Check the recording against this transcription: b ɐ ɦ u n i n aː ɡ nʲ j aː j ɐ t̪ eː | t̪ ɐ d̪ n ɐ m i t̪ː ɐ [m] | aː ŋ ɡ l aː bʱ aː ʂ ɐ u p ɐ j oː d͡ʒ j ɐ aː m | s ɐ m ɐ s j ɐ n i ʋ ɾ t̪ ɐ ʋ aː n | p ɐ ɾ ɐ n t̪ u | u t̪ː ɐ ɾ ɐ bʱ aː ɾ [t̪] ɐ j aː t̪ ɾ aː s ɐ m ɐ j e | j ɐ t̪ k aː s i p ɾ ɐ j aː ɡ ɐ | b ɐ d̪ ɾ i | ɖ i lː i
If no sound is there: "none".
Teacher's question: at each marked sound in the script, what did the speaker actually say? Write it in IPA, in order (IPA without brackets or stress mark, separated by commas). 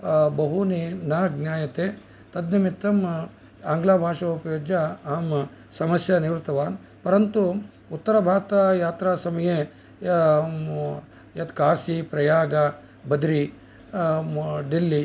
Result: m, t̪